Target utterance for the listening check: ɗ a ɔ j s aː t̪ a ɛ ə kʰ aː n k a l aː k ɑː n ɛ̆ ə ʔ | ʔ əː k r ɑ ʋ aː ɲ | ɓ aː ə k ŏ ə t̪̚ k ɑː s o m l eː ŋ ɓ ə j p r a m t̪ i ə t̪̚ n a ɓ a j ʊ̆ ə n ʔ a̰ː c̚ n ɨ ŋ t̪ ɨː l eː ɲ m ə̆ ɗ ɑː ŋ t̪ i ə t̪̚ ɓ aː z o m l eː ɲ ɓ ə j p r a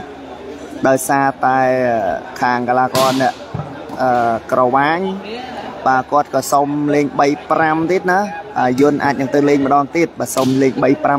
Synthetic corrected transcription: ɗ a ɔ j s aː t̪ a ɛ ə kʰ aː ŋ k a l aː k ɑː n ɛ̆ ə ʔ | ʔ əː k r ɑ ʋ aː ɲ | ɓ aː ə k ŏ ə t̪̚ k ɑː s o m l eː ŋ ɓ ə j p r a m t̪ i ə t̪̚ n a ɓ a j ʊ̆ ə n ʔ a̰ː c̚ n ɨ ŋ t̪ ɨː l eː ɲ m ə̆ ɗ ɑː ŋ t̪ i ə t̪̚ ɓ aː s o m l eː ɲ ɓ ə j p r a